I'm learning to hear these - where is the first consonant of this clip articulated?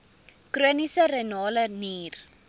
velum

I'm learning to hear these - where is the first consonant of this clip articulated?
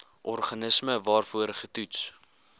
throat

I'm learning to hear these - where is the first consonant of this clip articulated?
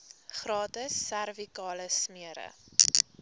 uvula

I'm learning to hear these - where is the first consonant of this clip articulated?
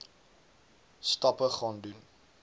tongue tip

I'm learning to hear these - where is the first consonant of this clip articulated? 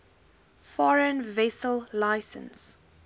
lips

